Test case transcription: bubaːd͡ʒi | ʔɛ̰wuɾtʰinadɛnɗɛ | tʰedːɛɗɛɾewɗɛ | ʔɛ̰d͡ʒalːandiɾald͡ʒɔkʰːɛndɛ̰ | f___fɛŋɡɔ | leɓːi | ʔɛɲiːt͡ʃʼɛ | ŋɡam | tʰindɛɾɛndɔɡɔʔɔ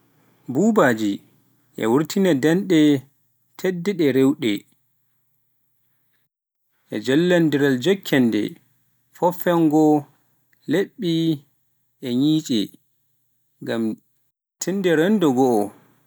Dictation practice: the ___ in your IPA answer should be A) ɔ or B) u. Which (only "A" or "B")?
A